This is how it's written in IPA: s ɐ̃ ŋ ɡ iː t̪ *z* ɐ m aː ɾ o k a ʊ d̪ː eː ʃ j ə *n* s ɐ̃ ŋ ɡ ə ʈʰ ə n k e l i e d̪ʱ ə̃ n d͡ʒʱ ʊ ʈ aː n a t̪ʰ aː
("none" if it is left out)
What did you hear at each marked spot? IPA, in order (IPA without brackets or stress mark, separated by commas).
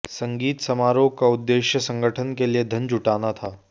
s, none